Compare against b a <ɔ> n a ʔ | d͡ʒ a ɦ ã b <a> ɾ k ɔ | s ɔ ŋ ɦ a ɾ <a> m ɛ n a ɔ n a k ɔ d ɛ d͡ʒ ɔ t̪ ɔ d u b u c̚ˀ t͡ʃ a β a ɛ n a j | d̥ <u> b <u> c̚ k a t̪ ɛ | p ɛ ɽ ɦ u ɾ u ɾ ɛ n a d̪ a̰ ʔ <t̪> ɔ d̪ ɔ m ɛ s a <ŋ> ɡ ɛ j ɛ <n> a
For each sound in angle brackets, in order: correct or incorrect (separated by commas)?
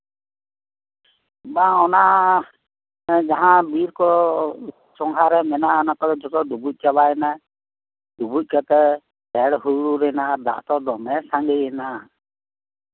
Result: correct, incorrect, incorrect, correct, correct, correct, correct, correct